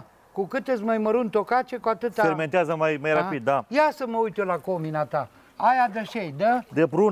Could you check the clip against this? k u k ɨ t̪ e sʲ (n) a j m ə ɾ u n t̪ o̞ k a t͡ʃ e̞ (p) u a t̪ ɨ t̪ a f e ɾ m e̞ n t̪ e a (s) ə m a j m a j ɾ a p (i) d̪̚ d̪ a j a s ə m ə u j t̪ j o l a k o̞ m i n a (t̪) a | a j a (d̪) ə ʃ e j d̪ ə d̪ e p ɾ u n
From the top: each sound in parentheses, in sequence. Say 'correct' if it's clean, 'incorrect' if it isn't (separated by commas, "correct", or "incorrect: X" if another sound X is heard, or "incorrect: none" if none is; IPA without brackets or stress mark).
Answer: incorrect: m, incorrect: k, incorrect: z, correct, correct, correct